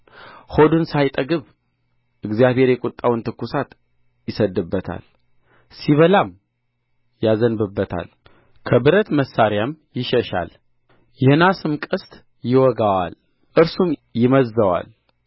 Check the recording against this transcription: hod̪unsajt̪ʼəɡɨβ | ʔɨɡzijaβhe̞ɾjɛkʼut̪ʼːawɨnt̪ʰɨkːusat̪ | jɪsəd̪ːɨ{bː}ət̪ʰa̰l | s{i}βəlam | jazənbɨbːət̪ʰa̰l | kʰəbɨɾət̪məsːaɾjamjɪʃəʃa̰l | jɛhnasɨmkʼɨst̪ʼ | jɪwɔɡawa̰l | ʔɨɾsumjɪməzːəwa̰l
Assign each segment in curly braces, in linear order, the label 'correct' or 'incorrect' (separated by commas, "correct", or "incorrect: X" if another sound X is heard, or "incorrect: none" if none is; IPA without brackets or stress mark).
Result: correct, correct